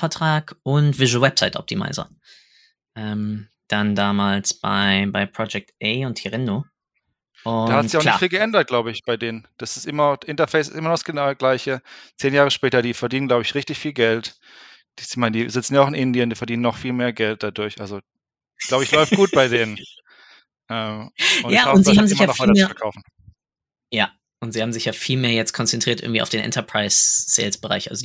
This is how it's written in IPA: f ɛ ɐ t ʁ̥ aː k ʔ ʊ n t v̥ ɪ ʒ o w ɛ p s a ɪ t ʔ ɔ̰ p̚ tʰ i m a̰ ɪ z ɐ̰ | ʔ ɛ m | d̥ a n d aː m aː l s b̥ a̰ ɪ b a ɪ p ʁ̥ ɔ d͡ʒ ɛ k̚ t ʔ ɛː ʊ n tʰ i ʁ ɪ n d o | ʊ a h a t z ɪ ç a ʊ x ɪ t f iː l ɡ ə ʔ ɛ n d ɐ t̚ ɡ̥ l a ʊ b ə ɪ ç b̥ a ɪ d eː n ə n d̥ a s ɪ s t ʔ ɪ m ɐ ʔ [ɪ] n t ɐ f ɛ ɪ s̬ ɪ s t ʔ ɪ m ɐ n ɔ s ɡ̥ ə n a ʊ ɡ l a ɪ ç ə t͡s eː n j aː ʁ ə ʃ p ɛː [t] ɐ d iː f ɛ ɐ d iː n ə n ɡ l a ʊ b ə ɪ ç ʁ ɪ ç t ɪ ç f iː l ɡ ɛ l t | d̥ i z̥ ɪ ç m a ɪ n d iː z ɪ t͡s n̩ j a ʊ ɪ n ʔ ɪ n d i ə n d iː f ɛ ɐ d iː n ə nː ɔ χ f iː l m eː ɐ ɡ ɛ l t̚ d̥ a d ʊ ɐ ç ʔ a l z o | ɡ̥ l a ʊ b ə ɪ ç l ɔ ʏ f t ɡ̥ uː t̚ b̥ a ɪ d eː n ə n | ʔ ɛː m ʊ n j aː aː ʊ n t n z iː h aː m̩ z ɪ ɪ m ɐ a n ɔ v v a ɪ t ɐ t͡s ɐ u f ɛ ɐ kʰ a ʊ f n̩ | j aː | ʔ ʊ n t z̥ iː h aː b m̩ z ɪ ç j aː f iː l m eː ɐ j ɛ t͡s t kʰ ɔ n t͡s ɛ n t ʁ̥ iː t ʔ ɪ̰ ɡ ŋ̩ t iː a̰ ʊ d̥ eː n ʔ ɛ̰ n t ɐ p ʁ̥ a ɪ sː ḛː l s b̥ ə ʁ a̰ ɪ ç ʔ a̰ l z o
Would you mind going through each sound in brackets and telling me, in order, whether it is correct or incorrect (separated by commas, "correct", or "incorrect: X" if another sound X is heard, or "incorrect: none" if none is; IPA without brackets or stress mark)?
correct, correct